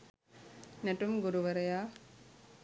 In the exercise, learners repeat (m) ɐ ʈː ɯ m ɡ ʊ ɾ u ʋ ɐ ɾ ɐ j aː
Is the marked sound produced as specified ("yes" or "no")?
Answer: no